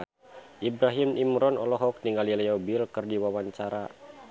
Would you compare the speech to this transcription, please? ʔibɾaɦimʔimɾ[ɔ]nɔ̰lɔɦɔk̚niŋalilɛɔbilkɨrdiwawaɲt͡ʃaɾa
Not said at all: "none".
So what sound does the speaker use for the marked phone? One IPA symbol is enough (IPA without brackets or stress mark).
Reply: ɔ